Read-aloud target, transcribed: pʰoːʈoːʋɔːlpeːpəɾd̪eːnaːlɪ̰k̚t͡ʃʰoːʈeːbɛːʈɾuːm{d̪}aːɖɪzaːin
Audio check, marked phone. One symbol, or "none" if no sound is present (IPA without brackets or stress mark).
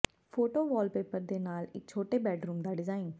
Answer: d̪